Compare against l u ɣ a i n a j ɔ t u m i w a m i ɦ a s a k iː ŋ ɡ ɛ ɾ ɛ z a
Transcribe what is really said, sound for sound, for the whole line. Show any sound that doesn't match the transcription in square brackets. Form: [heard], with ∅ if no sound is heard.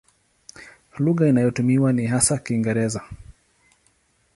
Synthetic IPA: l u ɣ a i n a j ɔ t u m i w a [n] i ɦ a s a k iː ŋ ɡ ɛ ɾ ɛ z a